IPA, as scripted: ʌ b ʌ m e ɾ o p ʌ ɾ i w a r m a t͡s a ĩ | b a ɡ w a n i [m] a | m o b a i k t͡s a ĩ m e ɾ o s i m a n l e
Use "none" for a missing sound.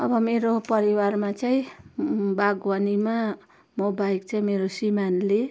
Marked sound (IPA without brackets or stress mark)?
m